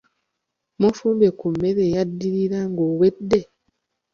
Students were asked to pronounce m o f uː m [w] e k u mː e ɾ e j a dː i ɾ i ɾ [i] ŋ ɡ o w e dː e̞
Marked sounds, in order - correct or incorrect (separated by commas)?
incorrect, incorrect